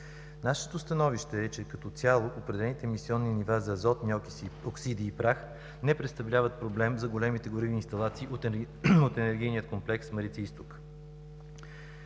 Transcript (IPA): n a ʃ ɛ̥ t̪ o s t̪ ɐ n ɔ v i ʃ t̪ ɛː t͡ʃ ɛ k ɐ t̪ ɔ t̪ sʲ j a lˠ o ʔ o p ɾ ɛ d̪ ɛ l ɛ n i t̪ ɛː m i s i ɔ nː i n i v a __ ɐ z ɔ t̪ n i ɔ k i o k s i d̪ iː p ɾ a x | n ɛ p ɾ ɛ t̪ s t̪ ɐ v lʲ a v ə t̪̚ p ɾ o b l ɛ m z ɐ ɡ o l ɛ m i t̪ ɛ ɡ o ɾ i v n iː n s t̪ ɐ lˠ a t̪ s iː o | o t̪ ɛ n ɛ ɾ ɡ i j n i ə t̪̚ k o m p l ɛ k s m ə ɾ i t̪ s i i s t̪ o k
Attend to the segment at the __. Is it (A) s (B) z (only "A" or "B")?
B